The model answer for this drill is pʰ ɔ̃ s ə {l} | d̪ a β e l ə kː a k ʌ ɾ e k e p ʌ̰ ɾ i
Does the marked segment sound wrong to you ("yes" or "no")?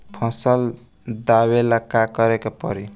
no